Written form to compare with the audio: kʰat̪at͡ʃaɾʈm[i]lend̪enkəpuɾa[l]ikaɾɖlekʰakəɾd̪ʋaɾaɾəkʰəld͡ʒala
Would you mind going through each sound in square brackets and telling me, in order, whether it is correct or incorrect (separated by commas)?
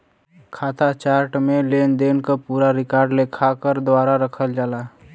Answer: incorrect, incorrect